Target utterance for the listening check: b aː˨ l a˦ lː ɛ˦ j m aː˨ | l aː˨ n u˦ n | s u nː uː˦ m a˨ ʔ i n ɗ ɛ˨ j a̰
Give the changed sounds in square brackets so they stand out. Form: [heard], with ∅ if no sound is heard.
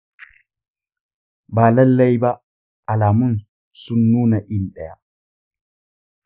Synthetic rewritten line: b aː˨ l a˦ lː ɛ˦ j [b] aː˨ | l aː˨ [m] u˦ n | s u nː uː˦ [n] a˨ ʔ i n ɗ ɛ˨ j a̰